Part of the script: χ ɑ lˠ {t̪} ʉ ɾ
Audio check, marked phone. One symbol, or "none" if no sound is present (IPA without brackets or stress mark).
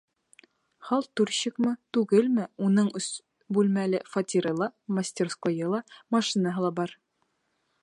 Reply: t̪